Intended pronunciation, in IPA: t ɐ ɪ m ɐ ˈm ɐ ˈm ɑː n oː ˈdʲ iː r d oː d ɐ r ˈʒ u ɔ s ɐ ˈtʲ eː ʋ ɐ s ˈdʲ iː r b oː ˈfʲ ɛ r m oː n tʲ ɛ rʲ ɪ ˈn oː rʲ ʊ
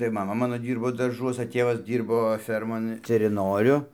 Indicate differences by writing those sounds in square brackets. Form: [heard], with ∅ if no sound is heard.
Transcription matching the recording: t ɐ ɪ m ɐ ˈm ɐ ˈm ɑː n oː ˈdʲ iː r [b] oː d ɐ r ˈʒ u ɔ s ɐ ˈtʲ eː ʋ ɐ s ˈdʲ iː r b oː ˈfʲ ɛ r m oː n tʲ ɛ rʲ ɪ ˈn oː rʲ ʊ